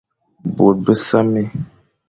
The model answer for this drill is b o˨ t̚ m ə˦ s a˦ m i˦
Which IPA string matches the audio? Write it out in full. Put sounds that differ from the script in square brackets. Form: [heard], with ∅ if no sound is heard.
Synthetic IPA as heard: b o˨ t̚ [b] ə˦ s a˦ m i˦